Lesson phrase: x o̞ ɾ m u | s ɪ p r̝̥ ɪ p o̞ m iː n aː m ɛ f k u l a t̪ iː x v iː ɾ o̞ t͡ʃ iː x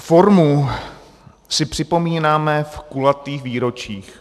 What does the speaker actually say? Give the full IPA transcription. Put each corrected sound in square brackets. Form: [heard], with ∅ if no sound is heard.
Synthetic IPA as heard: [f] o̞ ɾ m u | s ɪ p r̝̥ ɪ p o̞ m iː n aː m ɛ f k u l a t̪ iː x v iː ɾ o̞ t͡ʃ iː x